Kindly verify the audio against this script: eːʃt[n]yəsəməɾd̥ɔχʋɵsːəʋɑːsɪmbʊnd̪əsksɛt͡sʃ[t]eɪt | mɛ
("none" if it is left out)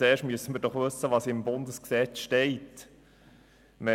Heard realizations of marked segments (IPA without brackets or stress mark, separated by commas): m, t